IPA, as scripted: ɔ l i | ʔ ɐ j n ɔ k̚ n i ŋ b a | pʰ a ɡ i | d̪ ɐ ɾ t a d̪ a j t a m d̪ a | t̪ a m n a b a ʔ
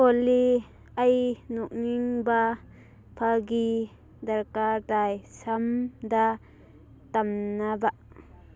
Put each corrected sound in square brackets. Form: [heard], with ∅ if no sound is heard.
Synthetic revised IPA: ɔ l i | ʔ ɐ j n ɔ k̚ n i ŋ b a | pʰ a ɡ i | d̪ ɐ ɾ [k] a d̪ a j [s] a m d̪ a | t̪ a m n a b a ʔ

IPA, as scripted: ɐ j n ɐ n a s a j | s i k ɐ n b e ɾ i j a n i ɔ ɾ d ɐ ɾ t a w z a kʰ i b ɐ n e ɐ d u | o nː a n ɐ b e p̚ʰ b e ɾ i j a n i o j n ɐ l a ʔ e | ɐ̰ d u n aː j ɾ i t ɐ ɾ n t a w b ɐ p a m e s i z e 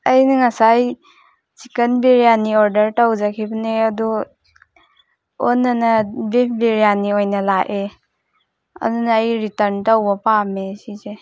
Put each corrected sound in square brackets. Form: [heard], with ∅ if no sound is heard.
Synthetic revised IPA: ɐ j n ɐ [ŋ] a s a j | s i k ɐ n b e ɾ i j a n i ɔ ɾ d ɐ ɾ t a w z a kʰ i b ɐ n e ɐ d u | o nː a n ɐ b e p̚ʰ b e ɾ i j a n i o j n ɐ l a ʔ e | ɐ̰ d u n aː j ɾ i t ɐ ɾ n t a w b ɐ p a m e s i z e

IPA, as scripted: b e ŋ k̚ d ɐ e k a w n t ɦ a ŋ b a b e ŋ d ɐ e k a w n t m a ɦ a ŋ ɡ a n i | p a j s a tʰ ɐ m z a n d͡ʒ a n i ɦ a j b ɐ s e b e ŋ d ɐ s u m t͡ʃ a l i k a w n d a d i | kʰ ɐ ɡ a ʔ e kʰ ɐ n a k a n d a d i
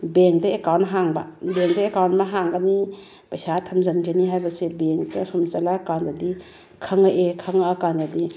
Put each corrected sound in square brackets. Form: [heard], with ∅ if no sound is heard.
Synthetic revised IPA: b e ŋ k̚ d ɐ e k a w n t ɦ a ŋ b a b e ŋ d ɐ e k a w n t m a ɦ a ŋ ɡ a n i | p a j s a tʰ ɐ m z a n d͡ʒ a n i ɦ a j b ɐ s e b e ŋ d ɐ s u m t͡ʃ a l [a] k a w n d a d i | kʰ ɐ [ŋ] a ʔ e kʰ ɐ [ŋ] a k a n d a d i

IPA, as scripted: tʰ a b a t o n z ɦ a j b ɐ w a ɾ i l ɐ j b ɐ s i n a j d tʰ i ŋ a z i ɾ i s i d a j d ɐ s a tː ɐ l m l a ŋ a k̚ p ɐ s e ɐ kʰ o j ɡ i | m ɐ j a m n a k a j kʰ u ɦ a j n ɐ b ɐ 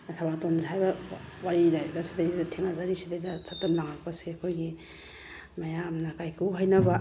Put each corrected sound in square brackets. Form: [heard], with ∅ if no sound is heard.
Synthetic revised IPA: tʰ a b a t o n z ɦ a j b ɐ w a ɾ i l [a] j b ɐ s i [d] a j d tʰ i ŋ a z [a] ɾ i s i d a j d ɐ s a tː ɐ [∅] m l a ŋ a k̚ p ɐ s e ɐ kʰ o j ɡ i | m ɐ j a m n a k a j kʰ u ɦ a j n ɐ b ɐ

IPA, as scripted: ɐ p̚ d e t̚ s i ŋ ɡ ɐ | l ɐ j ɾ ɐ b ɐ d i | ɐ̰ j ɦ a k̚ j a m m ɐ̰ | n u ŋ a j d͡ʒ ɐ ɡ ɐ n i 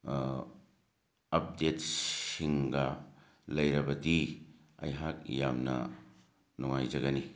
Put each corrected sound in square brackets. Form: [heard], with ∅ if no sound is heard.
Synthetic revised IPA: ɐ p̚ d e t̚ s i ŋ ɡ ɐ | l ɐ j ɾ ɐ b ɐ d i | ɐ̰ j ɦ a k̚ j a m [n] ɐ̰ | n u ŋ a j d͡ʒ ɐ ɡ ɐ n i

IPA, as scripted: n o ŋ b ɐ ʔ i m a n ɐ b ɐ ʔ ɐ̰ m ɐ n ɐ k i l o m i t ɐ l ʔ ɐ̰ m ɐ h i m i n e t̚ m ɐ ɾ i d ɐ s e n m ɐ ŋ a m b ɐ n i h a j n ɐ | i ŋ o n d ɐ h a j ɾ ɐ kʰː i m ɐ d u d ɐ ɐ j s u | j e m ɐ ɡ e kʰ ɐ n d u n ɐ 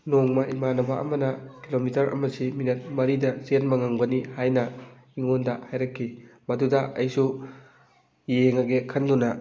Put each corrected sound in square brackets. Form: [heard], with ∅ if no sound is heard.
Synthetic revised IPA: n o ŋ [m] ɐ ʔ i m a n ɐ b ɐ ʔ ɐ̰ m ɐ n ɐ k i l o m i t ɐ [ɾ] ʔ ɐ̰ m ɐ [s] i m i n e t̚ m ɐ ɾ i d ɐ s e n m ɐ ŋ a [ŋ] b ɐ n i h a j n ɐ | i ŋ o n d ɐ h a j ɾ ɐ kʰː i m ɐ d u d ɐ ɐ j s u | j e [ŋ] ɐ ɡ e kʰ ɐ n d u n ɐ

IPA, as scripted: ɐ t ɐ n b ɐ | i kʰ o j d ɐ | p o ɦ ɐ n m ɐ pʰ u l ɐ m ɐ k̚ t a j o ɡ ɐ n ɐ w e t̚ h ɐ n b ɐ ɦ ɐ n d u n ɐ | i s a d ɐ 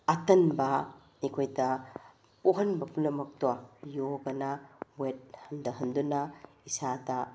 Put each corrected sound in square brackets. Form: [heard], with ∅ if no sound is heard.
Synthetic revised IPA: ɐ t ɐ n b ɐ | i kʰ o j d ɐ | p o ɦ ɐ n [b] ɐ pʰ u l ɐ m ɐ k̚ t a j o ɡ ɐ n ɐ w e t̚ h ɐ n [d] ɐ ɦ ɐ n d u n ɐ | i s a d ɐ

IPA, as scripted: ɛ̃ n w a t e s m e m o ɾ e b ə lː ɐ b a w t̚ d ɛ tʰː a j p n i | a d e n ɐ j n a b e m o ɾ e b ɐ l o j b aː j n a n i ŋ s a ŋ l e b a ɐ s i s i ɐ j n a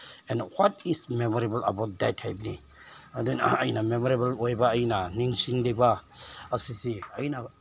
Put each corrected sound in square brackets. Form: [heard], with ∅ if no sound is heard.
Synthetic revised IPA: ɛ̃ n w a t [i] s m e m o ɾ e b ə [l] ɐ b a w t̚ d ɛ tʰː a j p n i | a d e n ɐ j n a [m] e m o ɾ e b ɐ l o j b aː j n a n i ŋ s [i] ŋ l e b a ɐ s i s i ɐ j n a

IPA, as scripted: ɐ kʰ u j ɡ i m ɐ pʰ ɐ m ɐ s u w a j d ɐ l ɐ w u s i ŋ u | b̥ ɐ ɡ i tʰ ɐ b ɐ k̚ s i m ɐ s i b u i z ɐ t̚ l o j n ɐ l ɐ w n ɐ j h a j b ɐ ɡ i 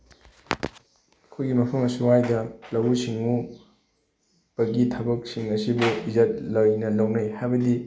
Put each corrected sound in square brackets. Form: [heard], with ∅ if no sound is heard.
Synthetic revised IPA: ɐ kʰ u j ɡ i m ɐ pʰ ɐ m ɐ s u w a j d ɐ l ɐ w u s i ŋ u | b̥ ɐ ɡ i tʰ ɐ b ɐ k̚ s i [ŋ] ɐ s i b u i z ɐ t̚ l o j n ɐ l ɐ w n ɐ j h a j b ɐ [d] i

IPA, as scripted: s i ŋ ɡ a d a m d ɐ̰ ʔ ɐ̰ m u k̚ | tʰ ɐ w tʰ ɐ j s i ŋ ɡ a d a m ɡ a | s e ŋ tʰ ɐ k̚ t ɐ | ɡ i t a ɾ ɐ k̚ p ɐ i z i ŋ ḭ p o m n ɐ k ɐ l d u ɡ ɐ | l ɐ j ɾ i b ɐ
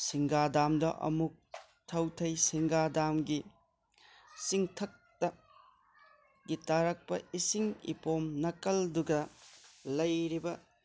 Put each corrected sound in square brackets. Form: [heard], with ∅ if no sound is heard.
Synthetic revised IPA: s i ŋ ɡ a d a m d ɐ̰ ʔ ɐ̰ m u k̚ | tʰ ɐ w tʰ ɐ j s i ŋ ɡ a d a m ɡ [i] | s [i] ŋ tʰ ɐ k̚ t ɐ | ɡ i t a ɾ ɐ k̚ p ɐ i [s] i ŋ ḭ p o m n ɐ k ɐ l d u ɡ ɐ | l ɐ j ɾ i b ɐ

